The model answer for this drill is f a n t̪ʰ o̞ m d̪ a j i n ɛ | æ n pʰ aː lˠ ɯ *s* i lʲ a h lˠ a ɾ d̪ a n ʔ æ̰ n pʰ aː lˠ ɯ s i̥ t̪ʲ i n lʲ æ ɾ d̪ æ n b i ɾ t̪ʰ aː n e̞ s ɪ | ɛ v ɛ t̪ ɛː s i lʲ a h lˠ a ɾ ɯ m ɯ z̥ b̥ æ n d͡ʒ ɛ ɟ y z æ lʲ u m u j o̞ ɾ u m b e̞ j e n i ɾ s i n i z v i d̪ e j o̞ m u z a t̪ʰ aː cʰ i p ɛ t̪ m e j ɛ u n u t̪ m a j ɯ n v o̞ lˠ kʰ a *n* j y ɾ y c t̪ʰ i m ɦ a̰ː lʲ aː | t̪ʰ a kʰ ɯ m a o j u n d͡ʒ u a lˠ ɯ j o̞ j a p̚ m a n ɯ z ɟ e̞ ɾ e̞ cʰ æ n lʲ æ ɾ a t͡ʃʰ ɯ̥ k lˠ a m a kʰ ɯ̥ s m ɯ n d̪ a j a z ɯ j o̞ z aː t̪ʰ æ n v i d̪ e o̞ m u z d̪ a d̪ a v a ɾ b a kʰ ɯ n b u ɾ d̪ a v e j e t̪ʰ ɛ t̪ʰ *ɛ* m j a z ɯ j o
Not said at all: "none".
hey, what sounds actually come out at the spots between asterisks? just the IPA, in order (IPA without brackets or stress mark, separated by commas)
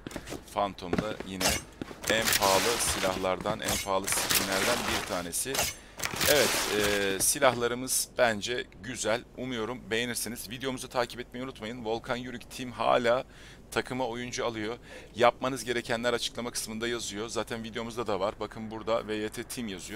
s, n, i